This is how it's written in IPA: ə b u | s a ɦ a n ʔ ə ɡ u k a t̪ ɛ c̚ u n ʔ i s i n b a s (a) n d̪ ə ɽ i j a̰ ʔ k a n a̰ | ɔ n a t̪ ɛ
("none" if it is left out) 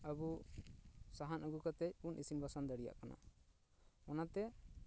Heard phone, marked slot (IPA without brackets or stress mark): a